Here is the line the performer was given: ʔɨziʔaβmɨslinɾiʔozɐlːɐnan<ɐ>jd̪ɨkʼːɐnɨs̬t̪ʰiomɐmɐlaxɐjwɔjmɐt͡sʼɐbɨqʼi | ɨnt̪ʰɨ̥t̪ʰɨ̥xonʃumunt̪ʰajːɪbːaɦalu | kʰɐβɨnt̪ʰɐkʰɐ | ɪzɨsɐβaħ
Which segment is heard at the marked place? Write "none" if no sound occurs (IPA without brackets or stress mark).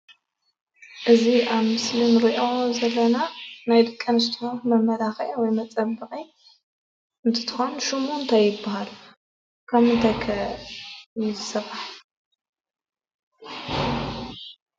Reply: a